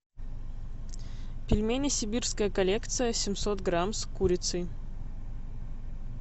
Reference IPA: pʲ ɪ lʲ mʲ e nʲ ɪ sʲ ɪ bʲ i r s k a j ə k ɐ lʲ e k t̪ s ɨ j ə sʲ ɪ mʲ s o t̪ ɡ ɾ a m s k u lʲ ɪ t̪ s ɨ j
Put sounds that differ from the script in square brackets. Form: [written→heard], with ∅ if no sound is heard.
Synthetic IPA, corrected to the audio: pʲ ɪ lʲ mʲ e nʲ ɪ sʲ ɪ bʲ i r s k [a→ə] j ə k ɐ lʲ e k t̪ s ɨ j ə sʲ ɪ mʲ s o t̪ ɡ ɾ a m s k u [lʲ→ɾʲ] ɪ t̪ s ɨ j